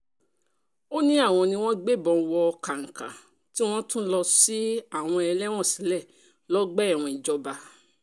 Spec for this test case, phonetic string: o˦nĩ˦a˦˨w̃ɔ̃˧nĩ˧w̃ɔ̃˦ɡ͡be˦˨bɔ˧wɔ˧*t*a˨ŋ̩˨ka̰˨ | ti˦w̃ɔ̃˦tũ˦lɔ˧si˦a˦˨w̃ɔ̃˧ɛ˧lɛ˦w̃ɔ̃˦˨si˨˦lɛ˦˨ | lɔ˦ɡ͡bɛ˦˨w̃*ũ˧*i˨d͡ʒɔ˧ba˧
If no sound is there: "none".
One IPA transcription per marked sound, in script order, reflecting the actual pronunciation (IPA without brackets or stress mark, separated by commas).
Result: k, ɔ̃˧